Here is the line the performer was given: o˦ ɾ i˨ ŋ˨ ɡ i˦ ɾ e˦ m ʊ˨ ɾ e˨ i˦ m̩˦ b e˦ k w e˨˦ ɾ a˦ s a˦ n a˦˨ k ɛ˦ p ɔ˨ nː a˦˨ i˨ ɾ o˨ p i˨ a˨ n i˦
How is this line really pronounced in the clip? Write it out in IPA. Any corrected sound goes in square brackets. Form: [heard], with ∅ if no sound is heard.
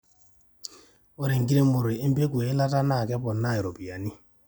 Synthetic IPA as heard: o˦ ɾ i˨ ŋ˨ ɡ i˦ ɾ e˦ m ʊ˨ ɾ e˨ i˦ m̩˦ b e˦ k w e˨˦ [l] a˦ [t] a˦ n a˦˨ k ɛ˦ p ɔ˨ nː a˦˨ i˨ ɾ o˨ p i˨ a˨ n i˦